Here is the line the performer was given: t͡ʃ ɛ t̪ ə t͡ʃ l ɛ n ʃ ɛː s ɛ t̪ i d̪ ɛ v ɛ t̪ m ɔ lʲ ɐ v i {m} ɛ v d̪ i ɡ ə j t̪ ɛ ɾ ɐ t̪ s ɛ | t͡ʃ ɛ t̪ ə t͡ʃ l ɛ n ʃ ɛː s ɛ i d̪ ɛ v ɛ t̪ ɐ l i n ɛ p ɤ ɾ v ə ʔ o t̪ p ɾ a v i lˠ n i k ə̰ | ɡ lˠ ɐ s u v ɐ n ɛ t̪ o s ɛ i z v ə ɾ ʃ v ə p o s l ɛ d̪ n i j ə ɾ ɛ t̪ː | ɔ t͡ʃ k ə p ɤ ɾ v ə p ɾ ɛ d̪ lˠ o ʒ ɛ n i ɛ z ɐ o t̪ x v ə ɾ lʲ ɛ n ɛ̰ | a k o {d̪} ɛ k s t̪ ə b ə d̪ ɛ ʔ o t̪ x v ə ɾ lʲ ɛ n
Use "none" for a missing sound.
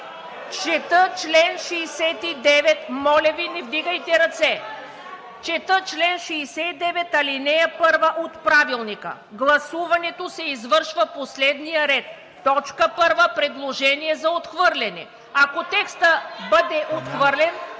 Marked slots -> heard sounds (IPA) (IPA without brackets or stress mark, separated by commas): n, t̪